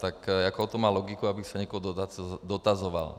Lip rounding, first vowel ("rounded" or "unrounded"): unrounded